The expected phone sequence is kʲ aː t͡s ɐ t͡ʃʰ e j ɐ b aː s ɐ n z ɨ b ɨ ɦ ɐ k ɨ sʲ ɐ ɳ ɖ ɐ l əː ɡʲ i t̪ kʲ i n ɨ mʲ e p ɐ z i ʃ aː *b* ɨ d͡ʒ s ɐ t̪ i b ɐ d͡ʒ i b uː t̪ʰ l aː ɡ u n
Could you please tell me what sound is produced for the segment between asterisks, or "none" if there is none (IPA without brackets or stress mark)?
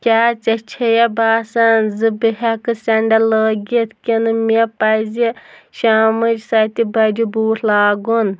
m